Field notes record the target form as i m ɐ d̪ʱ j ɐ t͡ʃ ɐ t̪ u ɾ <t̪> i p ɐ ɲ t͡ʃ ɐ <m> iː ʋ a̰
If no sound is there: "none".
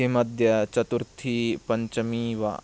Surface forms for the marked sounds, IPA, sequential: t̪ʰ, m

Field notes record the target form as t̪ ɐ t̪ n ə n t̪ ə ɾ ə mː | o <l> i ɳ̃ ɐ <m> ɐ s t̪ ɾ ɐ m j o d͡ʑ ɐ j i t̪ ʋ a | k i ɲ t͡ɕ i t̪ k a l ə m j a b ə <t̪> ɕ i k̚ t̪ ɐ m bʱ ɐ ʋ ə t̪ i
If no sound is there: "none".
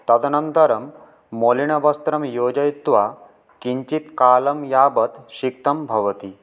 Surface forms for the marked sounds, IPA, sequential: l, b, t̪

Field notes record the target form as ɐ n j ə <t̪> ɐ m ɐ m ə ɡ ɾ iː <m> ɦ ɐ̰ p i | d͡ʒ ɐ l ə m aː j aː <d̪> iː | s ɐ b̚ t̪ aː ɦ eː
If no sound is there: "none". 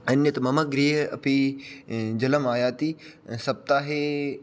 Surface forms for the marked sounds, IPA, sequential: t̪, none, t̪

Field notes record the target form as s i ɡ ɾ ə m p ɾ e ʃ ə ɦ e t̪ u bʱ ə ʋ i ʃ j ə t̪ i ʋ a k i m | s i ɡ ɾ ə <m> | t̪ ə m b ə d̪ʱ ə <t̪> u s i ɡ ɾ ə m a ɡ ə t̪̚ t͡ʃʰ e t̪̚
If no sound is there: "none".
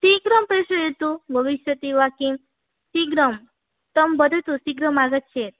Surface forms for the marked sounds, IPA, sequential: m, t̪

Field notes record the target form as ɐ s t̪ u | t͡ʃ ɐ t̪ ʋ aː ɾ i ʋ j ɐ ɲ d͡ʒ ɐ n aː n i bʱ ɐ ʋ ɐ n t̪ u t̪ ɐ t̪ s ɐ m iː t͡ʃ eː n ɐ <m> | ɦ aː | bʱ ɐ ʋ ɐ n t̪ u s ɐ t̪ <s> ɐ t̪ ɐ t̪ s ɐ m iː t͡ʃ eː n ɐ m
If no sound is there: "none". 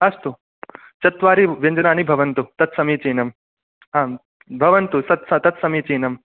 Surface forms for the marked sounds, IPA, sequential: m, s

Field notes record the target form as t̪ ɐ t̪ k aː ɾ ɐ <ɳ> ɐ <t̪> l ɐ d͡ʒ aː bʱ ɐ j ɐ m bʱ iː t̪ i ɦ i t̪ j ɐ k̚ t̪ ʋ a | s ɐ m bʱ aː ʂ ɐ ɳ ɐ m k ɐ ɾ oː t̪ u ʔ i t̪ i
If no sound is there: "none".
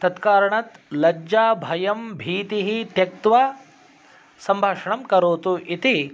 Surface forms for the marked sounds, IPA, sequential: ɳ, t̪

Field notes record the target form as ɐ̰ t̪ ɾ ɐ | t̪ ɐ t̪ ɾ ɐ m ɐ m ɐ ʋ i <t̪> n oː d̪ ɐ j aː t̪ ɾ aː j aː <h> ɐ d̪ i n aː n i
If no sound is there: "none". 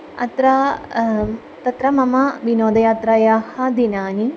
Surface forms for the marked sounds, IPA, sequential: none, h

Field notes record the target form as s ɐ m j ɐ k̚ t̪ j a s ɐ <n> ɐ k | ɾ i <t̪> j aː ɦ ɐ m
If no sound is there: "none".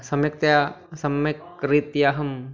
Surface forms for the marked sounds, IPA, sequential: m, t̪

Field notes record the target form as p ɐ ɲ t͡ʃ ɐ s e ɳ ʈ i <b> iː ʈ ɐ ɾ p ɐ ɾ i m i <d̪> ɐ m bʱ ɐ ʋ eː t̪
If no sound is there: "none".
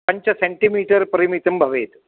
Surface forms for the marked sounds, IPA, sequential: m, t̪

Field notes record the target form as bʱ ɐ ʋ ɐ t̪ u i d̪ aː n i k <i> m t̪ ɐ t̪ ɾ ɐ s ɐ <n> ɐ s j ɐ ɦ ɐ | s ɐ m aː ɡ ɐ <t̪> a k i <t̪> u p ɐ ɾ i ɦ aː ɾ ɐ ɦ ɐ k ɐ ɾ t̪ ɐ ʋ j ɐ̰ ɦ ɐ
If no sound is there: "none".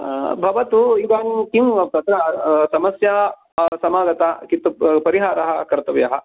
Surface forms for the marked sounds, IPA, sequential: i, m, t̪, t̪

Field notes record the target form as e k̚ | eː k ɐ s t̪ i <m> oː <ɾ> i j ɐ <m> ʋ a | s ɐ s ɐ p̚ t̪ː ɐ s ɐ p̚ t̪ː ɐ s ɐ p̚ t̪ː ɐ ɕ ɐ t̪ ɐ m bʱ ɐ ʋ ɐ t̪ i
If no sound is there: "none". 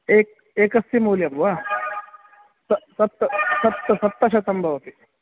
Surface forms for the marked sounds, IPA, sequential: m, l, m

